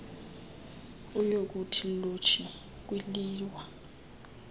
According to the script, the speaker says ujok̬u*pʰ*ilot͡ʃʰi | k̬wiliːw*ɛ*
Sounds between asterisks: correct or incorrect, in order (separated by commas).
incorrect, incorrect